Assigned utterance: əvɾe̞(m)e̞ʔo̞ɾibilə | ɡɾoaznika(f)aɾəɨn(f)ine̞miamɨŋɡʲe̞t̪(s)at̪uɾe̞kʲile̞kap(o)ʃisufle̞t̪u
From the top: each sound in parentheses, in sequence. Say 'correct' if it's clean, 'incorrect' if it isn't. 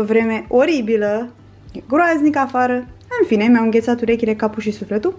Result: correct, correct, correct, correct, incorrect: u

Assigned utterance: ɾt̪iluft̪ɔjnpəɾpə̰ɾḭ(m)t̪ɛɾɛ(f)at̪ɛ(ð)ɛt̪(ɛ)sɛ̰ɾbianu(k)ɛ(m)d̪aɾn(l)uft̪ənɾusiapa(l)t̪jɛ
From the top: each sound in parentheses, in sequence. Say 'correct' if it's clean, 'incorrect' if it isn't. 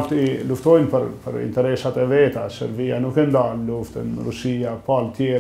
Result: incorrect: n, incorrect: s, incorrect: v, incorrect: a, correct, incorrect: n, correct, correct

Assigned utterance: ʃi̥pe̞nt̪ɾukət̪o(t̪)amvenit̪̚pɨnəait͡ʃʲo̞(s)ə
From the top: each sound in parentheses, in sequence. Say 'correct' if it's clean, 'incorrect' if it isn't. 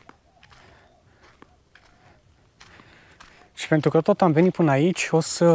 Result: correct, correct

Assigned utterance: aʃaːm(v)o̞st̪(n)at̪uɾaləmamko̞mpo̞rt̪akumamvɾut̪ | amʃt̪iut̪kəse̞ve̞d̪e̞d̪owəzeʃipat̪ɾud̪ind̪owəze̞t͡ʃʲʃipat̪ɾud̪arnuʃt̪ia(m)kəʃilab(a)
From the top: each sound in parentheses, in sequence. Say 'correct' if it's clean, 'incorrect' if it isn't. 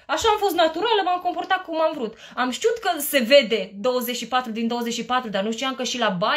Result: incorrect: f, correct, correct, correct

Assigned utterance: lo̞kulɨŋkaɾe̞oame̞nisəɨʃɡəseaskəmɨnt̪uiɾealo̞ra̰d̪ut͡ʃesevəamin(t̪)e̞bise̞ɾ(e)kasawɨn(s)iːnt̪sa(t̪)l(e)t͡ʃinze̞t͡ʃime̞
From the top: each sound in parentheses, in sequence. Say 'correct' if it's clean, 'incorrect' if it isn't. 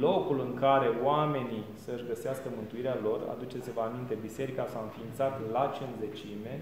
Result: correct, incorrect: i, incorrect: f, correct, incorrect: a

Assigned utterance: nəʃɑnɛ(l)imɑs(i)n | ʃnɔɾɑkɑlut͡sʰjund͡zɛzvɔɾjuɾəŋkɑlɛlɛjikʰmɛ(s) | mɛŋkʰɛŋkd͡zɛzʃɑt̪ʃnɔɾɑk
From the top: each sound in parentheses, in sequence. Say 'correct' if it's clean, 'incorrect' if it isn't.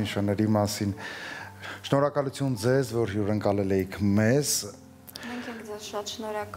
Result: incorrect: ɾ, correct, incorrect: z

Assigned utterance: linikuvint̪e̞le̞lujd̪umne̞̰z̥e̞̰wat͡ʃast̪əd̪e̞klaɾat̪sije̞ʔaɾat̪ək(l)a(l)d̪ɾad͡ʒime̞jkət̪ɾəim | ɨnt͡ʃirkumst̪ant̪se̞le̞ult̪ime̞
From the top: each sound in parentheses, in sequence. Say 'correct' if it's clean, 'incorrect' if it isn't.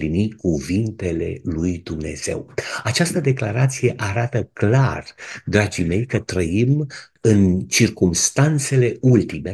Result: correct, incorrect: r

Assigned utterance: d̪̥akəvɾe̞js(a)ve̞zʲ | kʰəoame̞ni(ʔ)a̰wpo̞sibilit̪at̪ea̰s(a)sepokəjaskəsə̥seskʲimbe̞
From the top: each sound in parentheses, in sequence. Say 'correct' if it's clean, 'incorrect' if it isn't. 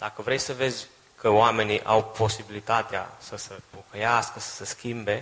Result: incorrect: ə, correct, incorrect: ə

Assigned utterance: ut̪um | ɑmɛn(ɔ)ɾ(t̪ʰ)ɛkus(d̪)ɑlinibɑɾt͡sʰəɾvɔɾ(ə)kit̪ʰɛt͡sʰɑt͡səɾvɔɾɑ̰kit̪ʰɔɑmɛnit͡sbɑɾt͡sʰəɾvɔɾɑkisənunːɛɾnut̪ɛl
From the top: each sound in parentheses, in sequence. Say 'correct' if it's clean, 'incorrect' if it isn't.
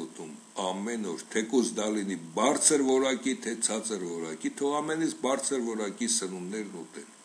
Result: correct, correct, correct, incorrect: ɑ

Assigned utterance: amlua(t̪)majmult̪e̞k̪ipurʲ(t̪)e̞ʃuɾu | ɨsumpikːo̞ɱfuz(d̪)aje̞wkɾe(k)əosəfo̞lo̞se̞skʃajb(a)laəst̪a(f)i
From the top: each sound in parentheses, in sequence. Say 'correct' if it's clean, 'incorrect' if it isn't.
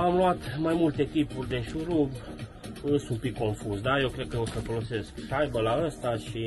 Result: correct, incorrect: d̪, correct, correct, incorrect: ə, incorrect: ʃ

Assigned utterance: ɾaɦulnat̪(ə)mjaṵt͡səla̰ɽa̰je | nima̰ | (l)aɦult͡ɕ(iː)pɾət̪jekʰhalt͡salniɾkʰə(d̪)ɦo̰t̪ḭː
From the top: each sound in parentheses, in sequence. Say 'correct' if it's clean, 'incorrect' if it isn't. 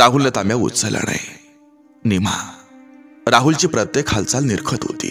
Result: incorrect: a, incorrect: ɾ, correct, incorrect: t̪

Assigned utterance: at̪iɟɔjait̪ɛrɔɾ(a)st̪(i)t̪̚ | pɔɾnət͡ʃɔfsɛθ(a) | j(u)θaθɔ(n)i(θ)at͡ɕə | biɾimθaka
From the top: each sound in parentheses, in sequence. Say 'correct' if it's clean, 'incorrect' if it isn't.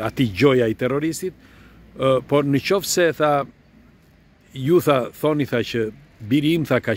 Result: incorrect: i, correct, correct, correct, correct, correct

